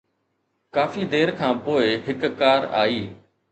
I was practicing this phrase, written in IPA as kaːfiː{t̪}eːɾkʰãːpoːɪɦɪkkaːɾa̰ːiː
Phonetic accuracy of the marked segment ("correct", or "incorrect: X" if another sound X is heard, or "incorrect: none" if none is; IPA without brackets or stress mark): incorrect: d̪